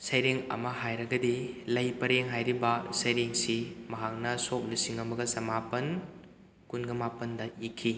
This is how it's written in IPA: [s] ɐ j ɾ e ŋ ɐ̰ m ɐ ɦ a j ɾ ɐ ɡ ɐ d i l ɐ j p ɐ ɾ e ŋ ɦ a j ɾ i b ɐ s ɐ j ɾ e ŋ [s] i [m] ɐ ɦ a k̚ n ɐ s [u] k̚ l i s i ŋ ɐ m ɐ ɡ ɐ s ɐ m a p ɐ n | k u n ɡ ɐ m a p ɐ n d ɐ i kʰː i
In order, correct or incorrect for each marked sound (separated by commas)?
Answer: correct, correct, correct, incorrect